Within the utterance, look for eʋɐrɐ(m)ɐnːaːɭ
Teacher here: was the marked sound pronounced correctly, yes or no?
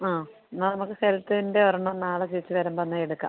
no